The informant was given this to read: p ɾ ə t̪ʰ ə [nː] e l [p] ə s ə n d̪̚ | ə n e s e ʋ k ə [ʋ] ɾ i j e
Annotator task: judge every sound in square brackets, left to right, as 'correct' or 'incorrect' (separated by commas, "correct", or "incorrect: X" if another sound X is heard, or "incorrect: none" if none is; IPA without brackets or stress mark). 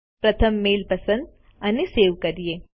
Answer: incorrect: mː, correct, incorrect: none